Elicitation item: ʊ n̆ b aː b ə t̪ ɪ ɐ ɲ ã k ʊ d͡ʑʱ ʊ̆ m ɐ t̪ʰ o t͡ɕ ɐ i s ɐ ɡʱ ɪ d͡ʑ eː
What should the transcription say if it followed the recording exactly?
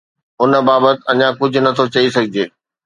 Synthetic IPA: ʊ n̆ b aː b ə t̪ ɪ ɐ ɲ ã k ʊ d͡ʑʱ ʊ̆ n ɐ t̪ʰ o t͡ɕ ɐ i s ɐ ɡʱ ɪ d͡ʑ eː